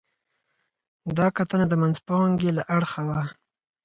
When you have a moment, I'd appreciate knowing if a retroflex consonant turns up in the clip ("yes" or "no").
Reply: yes